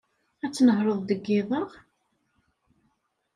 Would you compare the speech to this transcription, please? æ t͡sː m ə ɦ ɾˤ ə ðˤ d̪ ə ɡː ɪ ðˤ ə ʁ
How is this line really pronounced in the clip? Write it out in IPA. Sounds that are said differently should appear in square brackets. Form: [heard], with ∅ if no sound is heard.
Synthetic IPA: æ t͡sː [n] ə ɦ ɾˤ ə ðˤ d̪ ə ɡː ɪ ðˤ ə ʁ